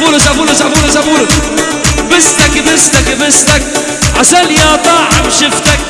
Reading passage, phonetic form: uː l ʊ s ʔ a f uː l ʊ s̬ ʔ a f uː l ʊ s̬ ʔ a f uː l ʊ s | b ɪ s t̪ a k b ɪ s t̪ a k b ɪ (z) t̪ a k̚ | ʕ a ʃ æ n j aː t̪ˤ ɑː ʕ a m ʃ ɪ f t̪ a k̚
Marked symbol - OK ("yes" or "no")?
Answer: no